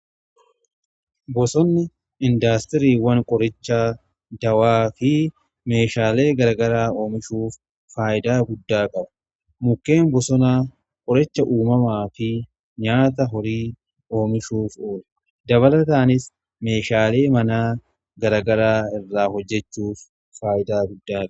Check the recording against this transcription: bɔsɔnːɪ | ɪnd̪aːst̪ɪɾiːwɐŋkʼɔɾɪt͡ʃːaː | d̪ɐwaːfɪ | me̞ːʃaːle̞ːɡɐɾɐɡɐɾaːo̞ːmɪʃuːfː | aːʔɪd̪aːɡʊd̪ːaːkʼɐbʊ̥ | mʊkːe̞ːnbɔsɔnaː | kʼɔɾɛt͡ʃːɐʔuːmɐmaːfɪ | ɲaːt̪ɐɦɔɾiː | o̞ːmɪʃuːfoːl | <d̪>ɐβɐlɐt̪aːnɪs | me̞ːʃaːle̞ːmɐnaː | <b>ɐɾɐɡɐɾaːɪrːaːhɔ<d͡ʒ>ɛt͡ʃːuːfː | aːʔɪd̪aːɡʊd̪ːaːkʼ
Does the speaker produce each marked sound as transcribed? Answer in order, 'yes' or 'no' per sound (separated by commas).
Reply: yes, no, no